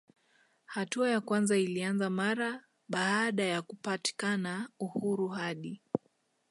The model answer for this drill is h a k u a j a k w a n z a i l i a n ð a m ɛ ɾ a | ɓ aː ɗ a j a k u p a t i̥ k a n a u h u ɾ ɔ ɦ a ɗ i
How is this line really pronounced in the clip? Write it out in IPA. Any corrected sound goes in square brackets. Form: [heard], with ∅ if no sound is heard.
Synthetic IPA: h a [t] u a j a k w a n z a i l i a n [z] a m [a] ɾ a | ɓ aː ɗ a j a k u p a t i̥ k a n a u h u ɾ [u] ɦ a ɗ i